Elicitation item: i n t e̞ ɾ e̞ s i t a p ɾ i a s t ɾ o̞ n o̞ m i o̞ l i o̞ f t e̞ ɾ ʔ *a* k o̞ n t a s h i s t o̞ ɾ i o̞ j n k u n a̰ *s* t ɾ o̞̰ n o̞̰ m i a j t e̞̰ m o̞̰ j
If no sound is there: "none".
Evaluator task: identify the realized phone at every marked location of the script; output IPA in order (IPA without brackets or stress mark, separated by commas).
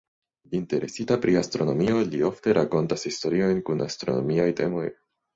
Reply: a, s